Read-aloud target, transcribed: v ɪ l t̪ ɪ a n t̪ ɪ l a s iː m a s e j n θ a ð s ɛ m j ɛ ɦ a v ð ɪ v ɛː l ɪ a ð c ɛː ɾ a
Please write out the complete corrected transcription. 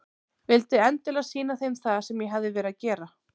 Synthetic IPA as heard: v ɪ l t̪ ɪ ɛ n t̪ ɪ l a s iː n a θ e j n θ a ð s ɛ m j ɛ ɦ a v ð ɪ v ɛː ɾ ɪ a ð c ɛː ɾ a